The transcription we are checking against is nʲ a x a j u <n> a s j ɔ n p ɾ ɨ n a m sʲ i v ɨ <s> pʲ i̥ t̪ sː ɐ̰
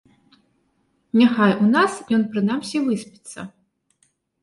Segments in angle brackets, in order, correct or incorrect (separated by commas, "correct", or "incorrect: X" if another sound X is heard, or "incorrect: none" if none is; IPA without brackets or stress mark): correct, correct